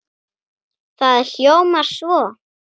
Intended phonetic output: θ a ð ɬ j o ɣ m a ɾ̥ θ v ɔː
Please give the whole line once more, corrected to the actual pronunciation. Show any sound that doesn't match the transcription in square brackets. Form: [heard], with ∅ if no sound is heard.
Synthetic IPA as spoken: θ a ð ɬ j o [w] m a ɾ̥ [s] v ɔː